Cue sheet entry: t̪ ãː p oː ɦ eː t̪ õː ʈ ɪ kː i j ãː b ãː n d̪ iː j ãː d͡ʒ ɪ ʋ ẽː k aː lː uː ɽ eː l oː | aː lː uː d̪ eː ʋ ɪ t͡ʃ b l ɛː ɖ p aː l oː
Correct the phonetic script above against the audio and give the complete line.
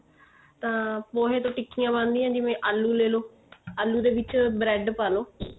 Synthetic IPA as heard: t̪ ãː p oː ɦ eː t̪ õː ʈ ɪ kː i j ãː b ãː n d̪ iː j ãː d͡ʒ ɪ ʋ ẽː ʔ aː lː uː l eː l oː | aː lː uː d̪ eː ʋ ɪ t͡ʃ b ɾ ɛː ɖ p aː l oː